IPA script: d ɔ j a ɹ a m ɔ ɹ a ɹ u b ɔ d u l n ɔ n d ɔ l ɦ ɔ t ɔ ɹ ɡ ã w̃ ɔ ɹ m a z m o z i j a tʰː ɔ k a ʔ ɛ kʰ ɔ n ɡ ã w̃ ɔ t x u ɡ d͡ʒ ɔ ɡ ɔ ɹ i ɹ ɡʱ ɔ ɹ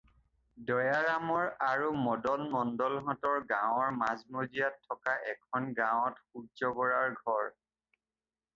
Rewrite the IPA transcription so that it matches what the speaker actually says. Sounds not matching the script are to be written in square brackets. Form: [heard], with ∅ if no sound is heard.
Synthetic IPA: d ɔ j a ɹ a m ɔ ɹ a ɹ u [m] ɔ d [ɔ] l [m] ɔ n d ɔ l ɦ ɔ t ɔ ɹ ɡ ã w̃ ɔ ɹ m a z m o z i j a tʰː ɔ k a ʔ ɛ kʰ ɔ n ɡ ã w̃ ɔ t x u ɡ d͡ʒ ɔ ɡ ɔ ɹ [a] ɹ ɡʱ ɔ ɹ

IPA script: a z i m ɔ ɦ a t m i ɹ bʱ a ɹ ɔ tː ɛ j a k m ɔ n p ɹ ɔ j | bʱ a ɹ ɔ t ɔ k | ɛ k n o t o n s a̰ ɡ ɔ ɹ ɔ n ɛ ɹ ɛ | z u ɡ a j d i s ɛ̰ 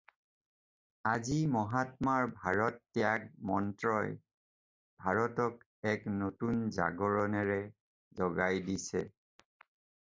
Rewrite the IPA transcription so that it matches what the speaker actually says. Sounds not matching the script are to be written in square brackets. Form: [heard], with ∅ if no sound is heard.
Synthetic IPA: a z i m ɔ ɦ a t m [a] ɹ bʱ a ɹ ɔ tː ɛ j a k m ɔ n [t] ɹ ɔ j | bʱ a ɹ ɔ t ɔ k | ɛ k n o t [u] n [z] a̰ ɡ ɔ ɹ ɔ n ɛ ɹ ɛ | z [ɔ] ɡ a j d i s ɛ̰

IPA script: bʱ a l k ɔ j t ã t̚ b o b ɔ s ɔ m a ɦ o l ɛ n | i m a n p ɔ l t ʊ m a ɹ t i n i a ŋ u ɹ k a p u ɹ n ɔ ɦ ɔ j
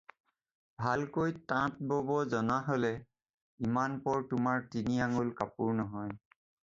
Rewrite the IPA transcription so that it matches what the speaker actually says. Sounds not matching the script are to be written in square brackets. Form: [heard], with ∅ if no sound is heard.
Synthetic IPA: bʱ a l k [o] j t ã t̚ b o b ɔ [z] ɔ [n] a ɦ o l ɛ [∅] | i m a n p ɔ [ɹ] t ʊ m a ɹ t i n i a ŋ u [l] k a p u ɹ n ɔ ɦ ɔ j

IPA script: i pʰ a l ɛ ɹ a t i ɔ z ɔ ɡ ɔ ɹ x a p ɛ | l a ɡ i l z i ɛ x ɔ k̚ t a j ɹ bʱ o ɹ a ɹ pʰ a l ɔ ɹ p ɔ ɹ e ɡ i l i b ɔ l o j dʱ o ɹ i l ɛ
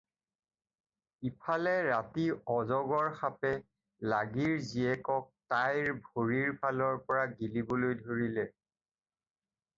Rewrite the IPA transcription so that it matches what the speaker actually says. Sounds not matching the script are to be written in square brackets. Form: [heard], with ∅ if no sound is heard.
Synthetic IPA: i pʰ a l ɛ ɹ a t i ɔ z ɔ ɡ ɔ ɹ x a p ɛ | l a ɡ i [ɹ] z i ɛ [k] ɔ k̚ t a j ɹ bʱ o ɹ [i] ɹ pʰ a l ɔ ɹ p ɔ ɹ [a] ɡ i l i b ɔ l o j dʱ o ɹ i l ɛ

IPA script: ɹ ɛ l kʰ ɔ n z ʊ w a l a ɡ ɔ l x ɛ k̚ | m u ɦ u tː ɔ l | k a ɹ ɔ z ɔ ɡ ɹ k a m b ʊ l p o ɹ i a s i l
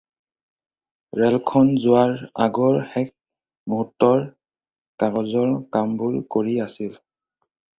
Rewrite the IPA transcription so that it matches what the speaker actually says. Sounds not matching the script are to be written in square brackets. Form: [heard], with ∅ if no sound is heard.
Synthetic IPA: ɹ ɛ l kʰ ɔ n z ʊ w a [ɹ] a ɡ ɔ [ɹ] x ɛ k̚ | m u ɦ u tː ɔ [ɹ] | k a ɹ ɔ z ɔ [∅] ɹ k a m b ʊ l [k] o ɹ i a s i l

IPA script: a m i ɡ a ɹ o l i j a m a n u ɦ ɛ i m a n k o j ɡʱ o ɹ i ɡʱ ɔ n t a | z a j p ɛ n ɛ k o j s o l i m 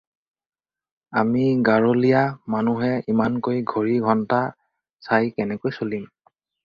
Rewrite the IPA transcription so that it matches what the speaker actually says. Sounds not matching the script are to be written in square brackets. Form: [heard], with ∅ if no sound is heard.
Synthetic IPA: a m i ɡ a ɹ o l i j a m a n u ɦ ɛ i m a n k o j ɡʱ o ɹ i ɡʱ ɔ n t a | [s] a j [k] ɛ n ɛ k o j s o l i m

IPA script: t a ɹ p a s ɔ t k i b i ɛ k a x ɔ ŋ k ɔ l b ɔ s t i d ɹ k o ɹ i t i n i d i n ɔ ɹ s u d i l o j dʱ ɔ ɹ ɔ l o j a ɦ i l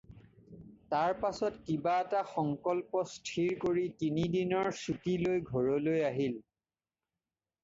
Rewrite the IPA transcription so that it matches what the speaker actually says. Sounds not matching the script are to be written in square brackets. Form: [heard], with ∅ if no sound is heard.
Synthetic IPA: t a ɹ p a s ɔ t k i b [a] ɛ [t] a x ɔ ŋ k ɔ l [p] ɔ s [tʰ] i [∅] ɹ k o ɹ i t i n i d i n ɔ ɹ s u [t] i l o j [ɡʱ] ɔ ɹ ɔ l o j a ɦ i l

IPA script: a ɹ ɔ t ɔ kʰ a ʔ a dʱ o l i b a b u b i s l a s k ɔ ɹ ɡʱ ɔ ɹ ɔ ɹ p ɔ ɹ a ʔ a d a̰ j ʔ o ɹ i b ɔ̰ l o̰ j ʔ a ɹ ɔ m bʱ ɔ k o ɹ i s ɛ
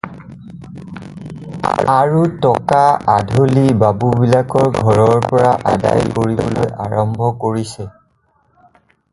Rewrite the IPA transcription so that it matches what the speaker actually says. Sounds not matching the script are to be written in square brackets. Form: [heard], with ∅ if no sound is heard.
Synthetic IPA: a ɹ [u] t ɔ [k] a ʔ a dʱ o l i b a b u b i [∅] l a [∅] k ɔ ɹ ɡʱ ɔ ɹ ɔ ɹ p ɔ ɹ a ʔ a d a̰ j [k] o ɹ i b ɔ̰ l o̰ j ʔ a ɹ ɔ m bʱ ɔ k o ɹ i s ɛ

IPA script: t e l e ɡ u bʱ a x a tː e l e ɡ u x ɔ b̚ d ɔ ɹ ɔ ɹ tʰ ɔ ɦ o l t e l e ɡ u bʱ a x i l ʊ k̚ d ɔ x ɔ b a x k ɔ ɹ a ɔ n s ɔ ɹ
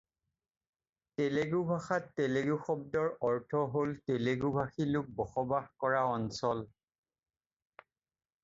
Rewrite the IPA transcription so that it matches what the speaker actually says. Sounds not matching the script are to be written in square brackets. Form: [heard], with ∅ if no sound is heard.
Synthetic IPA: t e l e ɡ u bʱ a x a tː e l e ɡ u x ɔ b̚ d ɔ ɹ ɔ ɹ tʰ ɔ ɦ o l t e l e ɡ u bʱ a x i l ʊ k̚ [b] ɔ x ɔ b a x k ɔ ɹ a ɔ n s ɔ [l]

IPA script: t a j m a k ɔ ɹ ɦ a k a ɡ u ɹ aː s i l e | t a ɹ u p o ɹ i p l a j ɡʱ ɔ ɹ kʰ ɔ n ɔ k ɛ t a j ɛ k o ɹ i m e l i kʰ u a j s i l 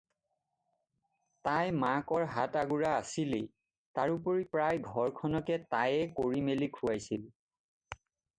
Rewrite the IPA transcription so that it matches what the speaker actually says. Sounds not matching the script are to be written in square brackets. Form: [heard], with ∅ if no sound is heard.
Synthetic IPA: t a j m a k ɔ ɹ ɦ a [t] a ɡ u ɹ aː s i l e | t a ɹ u p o ɹ i p [ɹ] a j ɡʱ ɔ ɹ kʰ ɔ n ɔ k ɛ t a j ɛ k o ɹ i m e l i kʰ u a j s i l

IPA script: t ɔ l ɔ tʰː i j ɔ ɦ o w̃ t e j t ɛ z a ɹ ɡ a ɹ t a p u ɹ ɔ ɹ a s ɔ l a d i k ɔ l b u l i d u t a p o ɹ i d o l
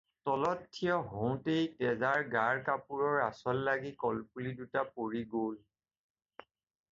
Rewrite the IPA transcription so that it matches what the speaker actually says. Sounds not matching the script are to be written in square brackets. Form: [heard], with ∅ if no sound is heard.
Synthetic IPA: t ɔ l ɔ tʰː i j ɔ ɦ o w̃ t e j t ɛ z a ɹ ɡ a ɹ [k] a p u ɹ ɔ ɹ a s ɔ [lː] a [ɡ] i k ɔ l [p] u l i d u t a p o ɹ i [ɡ] o l

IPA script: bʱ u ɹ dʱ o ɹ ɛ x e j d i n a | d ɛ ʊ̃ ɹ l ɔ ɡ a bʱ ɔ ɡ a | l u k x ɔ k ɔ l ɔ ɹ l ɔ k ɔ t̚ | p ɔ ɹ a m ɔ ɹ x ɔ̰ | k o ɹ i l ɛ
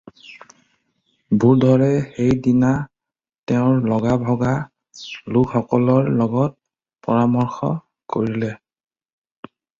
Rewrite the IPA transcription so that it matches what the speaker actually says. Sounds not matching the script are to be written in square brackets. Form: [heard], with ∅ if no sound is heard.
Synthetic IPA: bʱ u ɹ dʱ [ɔ] ɹ ɛ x e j d i n a | [t] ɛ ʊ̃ ɹ l ɔ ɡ a bʱ ɔ ɡ a | l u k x ɔ k ɔ l ɔ ɹ l ɔ [ɡ] ɔ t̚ | p ɔ ɹ a m ɔ ɹ x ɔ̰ | k o ɹ i l ɛ

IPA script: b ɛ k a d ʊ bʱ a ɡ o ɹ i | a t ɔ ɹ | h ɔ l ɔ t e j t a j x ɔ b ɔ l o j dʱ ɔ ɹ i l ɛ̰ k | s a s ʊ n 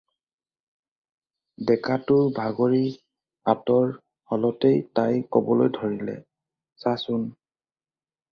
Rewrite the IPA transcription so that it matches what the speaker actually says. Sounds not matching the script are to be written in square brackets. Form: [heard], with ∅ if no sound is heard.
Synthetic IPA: [d] ɛ k a [t] ʊ bʱ a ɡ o ɹ i | a t ɔ ɹ | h ɔ l ɔ t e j t a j [k] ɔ b ɔ l o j dʱ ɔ ɹ i l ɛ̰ [∅] | s a s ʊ n

